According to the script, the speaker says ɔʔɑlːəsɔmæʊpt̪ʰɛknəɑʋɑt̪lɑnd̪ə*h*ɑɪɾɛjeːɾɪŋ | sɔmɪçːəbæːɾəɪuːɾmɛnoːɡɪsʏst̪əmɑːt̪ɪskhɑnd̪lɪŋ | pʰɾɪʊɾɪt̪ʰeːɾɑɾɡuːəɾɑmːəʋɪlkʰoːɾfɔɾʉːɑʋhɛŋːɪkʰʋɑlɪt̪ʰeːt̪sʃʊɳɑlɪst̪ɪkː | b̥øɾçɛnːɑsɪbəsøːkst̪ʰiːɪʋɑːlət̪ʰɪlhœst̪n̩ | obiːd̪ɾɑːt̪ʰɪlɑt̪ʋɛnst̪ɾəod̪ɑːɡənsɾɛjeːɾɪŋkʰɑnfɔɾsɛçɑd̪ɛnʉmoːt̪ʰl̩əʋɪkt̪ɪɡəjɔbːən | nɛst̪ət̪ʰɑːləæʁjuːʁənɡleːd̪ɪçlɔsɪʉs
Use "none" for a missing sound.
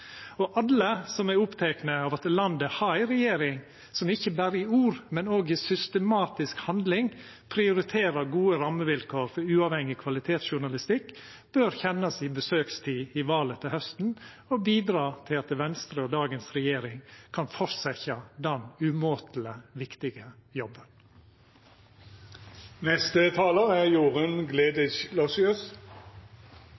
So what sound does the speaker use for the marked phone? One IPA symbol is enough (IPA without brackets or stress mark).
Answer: h